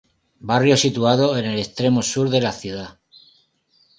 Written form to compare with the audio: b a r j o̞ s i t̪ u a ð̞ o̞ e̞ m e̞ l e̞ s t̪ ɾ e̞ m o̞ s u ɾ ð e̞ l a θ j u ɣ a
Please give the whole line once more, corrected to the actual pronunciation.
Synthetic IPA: b a r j o̞ s i t̪ u a ð̞ o̞ e̞ n e̞ l e̞ s t̪ ɾ e̞ m o̞ s u ɾ ð e̞ l a θ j u ð a